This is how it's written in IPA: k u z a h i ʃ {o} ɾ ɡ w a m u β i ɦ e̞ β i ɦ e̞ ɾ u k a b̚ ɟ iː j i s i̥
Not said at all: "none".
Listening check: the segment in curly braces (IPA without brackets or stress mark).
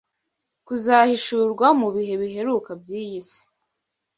u